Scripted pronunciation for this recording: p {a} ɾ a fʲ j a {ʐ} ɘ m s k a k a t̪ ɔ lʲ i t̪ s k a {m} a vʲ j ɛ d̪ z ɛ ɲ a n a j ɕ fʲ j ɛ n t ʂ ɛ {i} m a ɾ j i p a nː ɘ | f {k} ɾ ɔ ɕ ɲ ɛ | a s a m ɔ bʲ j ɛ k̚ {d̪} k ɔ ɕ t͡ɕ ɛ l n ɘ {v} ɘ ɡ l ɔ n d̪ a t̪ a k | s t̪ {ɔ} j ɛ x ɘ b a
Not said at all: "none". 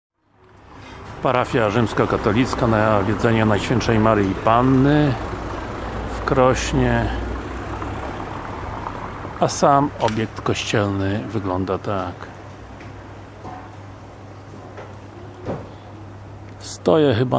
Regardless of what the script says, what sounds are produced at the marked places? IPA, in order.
a, ʐ, n, j, k, t̪, v, ɔ

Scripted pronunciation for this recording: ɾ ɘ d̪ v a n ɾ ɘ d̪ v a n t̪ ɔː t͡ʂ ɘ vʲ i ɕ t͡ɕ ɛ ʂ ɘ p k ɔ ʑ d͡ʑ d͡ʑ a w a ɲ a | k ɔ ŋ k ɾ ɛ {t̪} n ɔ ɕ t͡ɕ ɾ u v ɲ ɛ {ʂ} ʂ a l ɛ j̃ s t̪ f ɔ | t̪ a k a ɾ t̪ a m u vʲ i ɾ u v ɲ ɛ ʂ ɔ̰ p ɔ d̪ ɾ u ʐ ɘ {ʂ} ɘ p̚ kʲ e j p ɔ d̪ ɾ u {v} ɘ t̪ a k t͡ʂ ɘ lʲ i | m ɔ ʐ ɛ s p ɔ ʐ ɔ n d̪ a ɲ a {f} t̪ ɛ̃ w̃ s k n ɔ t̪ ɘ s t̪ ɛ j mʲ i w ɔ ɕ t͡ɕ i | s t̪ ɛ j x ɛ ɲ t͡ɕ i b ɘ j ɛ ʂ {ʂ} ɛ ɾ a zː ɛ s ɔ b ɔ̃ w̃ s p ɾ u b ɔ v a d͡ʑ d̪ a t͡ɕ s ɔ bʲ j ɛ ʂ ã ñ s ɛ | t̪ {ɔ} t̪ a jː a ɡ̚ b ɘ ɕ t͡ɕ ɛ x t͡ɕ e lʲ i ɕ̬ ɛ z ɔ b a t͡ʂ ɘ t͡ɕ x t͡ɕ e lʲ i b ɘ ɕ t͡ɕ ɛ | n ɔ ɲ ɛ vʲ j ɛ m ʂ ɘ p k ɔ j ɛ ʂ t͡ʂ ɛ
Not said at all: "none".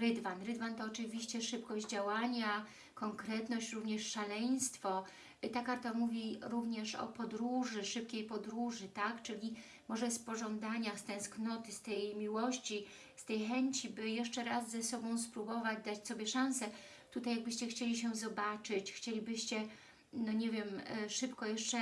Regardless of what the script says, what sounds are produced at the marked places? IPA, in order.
t̪, ʂ, ʂ, ʐ, s, t͡ʂ, u

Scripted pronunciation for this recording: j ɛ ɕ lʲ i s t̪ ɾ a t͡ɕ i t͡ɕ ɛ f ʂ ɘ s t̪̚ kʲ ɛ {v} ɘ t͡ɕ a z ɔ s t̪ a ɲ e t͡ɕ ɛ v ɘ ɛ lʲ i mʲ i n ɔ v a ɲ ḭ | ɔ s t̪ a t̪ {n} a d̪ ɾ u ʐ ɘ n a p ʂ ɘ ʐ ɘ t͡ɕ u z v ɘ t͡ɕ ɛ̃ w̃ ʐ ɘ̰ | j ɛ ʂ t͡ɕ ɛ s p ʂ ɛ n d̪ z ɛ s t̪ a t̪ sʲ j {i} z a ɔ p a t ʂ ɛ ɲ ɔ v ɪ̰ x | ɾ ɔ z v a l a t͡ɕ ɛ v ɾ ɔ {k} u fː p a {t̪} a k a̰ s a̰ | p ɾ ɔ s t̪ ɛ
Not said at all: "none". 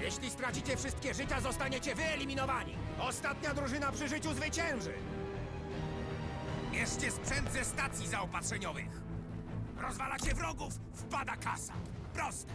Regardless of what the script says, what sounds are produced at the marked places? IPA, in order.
ʐ, ɲ, i, ɡ, d̪

